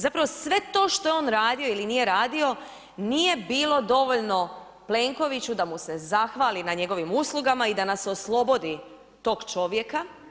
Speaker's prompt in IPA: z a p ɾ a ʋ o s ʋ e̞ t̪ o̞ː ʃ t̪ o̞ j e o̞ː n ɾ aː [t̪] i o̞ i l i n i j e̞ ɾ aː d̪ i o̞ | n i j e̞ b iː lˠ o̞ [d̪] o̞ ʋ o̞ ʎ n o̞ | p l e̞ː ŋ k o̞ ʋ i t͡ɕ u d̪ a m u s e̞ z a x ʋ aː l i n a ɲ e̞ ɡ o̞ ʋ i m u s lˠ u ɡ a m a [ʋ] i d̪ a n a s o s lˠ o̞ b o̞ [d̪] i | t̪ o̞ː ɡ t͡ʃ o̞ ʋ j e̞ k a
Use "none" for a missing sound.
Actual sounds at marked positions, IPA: d̪, d̪, none, d̪

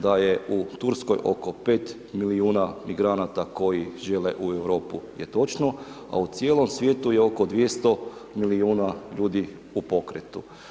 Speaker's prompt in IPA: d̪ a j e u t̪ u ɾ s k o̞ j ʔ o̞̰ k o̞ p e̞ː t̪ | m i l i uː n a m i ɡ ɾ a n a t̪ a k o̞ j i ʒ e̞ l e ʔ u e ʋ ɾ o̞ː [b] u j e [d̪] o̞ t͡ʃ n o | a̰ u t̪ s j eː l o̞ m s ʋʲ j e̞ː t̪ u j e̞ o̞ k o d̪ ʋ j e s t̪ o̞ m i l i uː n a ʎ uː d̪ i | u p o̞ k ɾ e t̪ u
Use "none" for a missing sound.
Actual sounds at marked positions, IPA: p, t̪

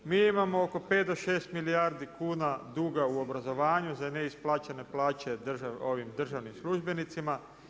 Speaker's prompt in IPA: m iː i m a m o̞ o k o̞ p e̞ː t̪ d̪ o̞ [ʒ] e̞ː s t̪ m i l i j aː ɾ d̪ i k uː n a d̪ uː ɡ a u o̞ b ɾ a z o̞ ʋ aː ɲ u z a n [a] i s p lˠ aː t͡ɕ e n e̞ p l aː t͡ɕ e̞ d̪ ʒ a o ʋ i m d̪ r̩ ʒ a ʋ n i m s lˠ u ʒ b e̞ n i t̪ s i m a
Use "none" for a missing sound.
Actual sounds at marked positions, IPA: ʃ, e

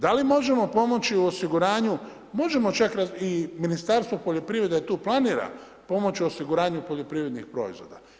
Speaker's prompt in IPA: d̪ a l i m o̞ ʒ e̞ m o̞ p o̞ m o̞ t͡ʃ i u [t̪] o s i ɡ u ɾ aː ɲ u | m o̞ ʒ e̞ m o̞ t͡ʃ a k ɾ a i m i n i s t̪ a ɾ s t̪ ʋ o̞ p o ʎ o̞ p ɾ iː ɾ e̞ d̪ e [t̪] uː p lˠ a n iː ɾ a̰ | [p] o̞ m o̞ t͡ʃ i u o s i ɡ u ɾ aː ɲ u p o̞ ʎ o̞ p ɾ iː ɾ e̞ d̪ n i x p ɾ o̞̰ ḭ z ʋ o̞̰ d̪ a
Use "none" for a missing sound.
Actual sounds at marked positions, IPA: none, t̪, p

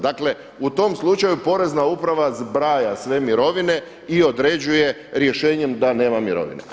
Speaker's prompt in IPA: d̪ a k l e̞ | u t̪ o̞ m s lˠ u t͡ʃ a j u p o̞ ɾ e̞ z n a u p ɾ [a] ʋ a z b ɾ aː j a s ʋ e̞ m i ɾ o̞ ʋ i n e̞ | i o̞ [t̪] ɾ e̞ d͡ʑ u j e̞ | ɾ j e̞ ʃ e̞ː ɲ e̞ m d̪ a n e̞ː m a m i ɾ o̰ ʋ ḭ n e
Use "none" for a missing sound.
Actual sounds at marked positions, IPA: a, d̪

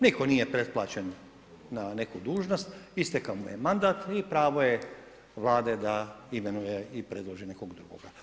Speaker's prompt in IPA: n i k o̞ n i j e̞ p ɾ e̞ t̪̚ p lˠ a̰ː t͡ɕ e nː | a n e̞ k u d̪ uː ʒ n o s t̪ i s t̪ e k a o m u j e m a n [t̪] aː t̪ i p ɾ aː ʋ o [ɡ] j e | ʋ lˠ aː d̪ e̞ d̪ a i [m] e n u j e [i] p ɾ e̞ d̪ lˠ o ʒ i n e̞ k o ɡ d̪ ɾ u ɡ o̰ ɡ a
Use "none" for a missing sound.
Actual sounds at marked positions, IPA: d̪, none, m, i

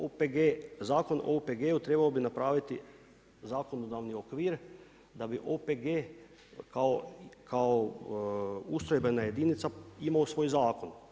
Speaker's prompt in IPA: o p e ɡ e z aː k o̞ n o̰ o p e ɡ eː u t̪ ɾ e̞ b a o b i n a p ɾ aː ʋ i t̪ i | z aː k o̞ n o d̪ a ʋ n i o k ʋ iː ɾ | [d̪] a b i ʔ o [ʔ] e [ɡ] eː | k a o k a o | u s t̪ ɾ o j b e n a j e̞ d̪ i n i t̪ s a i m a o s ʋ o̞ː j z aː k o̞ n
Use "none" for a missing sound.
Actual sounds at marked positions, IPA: d̪, p, ɡ

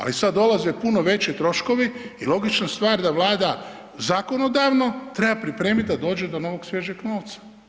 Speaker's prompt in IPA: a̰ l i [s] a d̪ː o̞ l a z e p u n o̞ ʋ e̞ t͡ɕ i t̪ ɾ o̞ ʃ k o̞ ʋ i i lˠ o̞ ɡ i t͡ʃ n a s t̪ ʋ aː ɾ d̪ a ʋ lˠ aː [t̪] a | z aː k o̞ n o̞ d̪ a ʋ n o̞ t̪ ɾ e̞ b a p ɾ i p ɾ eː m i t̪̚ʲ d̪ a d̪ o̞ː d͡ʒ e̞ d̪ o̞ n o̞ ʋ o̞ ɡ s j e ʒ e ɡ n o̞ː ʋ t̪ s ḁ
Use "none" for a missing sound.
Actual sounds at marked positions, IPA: s, d̪

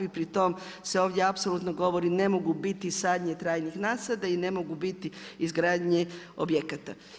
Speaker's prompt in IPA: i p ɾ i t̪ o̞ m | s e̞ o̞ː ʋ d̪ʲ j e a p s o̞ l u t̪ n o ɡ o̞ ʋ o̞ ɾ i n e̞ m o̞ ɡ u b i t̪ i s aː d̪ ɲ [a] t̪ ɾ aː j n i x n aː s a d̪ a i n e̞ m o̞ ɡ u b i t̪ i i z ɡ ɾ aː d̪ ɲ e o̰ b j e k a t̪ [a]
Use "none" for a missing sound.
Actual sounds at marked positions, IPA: e, a

